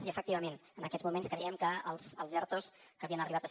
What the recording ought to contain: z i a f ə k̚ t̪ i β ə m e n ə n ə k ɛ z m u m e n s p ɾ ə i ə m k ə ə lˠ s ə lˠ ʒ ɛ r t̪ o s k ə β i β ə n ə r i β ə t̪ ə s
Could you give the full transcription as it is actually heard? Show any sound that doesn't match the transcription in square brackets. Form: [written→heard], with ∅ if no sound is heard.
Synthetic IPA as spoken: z i [a→ə] f ə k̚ t̪ i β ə m e n ə n ə k ɛ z m u m e n s [p→k] ɾ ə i ə m k ə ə lˠ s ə lˠ [ʒ→z] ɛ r t̪ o s k ə β i [β→∅] ə n ə r i β [ə→a] t̪ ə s